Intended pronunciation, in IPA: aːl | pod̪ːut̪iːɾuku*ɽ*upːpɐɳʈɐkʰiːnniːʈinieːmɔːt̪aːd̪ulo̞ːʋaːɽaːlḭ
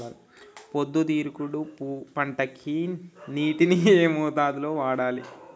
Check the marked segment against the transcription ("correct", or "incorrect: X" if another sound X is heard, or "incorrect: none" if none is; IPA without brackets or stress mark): correct